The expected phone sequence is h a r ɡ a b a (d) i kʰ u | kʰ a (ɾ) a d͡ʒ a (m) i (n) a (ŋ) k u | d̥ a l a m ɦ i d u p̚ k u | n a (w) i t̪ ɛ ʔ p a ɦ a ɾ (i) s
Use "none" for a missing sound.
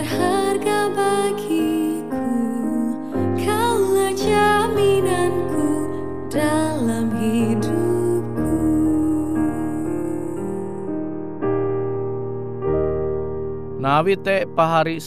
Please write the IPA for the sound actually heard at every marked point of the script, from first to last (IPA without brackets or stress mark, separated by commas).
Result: ɡ, l, m, n, n, w, i